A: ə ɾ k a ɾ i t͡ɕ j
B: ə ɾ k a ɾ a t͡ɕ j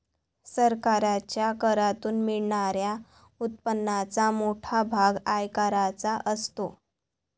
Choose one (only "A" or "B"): B